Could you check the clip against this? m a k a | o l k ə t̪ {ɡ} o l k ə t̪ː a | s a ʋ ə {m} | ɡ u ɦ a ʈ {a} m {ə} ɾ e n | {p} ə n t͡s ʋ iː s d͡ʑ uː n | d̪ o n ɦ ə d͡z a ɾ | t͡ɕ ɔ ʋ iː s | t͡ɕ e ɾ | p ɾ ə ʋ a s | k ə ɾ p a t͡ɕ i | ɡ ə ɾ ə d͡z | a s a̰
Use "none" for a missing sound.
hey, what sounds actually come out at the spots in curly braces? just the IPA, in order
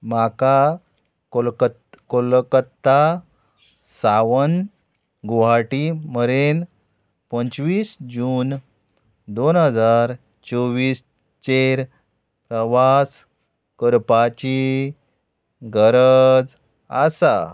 k, n, i, ə, p

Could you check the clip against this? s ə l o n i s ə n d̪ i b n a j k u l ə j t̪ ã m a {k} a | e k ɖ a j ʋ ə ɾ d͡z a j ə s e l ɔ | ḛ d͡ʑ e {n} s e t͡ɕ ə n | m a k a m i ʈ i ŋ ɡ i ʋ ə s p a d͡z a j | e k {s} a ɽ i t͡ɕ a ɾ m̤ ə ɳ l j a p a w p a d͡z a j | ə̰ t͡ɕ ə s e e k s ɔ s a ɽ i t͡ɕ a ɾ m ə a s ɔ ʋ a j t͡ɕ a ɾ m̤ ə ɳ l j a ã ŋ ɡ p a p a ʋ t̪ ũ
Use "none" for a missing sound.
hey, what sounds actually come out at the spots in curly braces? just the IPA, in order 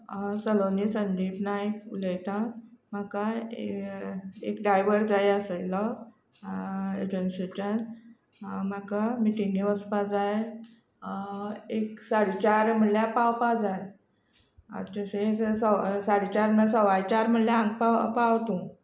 k, n, s

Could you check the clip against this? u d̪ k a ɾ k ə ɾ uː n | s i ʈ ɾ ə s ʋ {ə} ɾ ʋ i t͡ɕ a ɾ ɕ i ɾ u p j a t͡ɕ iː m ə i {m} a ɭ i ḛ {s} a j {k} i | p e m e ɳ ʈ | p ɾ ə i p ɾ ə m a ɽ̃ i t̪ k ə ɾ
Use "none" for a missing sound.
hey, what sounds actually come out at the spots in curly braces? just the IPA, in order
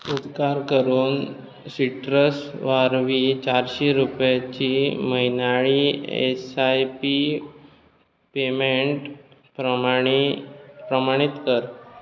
a, n, s, p

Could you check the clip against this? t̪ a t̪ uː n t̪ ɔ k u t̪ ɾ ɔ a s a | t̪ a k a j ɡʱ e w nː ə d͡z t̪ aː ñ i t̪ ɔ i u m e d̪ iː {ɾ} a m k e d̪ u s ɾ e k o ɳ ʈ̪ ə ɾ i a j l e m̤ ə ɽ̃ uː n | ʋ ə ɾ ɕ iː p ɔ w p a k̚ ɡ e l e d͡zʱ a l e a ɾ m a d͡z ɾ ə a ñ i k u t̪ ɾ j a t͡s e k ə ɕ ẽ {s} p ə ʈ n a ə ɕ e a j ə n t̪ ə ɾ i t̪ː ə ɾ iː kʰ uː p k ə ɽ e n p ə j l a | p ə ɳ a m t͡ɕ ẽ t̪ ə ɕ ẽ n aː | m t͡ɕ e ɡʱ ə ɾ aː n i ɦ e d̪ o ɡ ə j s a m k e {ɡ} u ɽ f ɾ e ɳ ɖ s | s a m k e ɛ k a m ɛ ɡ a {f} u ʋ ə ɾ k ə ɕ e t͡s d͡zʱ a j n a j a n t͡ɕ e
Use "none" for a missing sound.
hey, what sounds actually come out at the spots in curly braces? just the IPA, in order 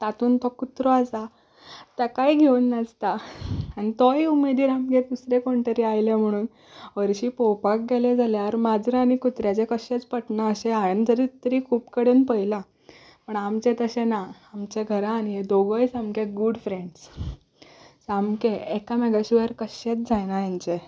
ɾ, t͡s, ɡ, ɕ

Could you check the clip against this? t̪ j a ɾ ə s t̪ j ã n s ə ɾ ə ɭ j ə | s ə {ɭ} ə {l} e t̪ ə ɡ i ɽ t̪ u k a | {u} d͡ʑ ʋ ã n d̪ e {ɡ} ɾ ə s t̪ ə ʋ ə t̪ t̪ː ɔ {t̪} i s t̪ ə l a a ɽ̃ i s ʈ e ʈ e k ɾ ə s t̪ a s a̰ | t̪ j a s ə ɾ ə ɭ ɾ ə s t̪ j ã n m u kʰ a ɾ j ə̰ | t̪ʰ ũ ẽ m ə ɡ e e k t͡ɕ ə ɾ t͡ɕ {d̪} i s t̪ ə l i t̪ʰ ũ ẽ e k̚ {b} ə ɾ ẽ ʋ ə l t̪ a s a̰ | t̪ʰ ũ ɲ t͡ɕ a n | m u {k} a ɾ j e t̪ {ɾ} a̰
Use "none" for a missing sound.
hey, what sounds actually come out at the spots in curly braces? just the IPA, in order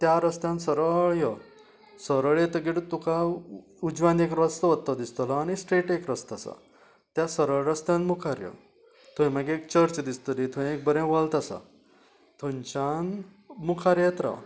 ɾ, ɭ, u, k, d̪, d̪, b, kʰ, ɾ

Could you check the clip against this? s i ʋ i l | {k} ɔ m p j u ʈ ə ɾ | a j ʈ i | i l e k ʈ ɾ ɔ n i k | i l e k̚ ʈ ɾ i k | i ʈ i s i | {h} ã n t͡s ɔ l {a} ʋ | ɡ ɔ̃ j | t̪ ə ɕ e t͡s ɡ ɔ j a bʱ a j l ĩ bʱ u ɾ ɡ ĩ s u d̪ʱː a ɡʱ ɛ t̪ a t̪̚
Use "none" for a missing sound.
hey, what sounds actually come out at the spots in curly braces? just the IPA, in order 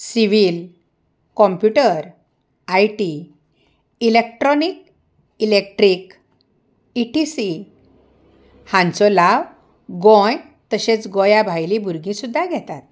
k, h, a

